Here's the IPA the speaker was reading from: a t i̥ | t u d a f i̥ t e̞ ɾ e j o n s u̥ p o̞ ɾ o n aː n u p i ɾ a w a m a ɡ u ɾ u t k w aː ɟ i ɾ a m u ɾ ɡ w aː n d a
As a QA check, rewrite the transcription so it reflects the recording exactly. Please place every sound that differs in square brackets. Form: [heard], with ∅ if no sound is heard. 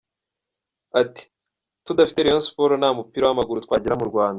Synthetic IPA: a t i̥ | t u d a f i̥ t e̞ ɾ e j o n s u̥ p o̞ ɾ o n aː [m] u p i ɾ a w a m a ɡ u ɾ u t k w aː ɟ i ɾ a m u ɾ ɡ w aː n d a